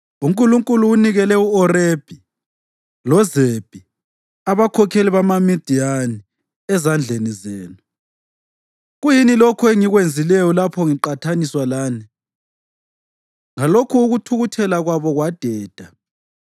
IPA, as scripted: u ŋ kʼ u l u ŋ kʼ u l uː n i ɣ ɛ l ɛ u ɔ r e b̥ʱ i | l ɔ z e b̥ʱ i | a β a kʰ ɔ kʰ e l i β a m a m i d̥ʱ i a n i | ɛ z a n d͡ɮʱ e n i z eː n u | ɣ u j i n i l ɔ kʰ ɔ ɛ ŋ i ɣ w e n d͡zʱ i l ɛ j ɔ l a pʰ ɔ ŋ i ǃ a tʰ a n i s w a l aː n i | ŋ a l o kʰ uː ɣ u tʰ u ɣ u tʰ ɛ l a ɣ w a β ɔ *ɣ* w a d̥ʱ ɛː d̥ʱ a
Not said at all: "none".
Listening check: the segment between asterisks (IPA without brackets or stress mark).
ɣ